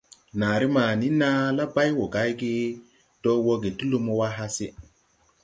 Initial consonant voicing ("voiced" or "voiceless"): voiced